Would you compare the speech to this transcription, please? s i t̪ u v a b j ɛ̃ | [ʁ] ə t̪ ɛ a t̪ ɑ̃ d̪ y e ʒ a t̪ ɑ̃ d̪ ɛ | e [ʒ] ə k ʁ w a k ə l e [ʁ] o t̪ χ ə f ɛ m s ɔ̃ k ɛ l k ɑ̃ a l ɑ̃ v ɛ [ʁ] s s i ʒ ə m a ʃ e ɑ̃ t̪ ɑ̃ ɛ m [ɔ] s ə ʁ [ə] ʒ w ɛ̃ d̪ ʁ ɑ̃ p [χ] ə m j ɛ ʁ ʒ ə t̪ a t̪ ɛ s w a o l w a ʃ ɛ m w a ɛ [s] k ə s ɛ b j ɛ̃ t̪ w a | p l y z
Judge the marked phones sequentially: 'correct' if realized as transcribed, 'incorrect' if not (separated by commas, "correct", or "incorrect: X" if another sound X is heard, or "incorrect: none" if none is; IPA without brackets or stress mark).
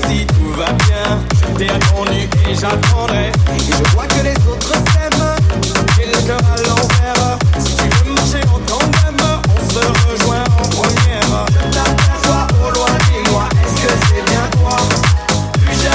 incorrect: ʒ, correct, incorrect: z, correct, incorrect: ɔ̃, correct, correct, correct